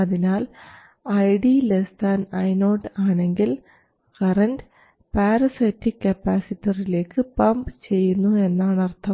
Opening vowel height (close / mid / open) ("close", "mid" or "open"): open